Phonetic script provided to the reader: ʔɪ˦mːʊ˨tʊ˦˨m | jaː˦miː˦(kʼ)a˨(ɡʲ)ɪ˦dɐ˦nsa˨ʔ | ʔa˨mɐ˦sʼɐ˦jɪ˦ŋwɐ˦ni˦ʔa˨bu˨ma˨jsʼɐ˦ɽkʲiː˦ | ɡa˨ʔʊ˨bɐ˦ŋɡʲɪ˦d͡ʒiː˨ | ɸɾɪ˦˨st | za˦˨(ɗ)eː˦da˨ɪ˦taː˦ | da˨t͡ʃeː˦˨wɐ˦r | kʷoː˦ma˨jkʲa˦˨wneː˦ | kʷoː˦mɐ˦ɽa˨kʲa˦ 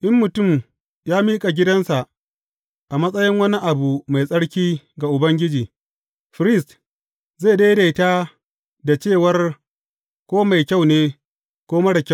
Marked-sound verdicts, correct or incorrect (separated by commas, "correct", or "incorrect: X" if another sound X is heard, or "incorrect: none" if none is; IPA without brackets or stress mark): correct, correct, incorrect: d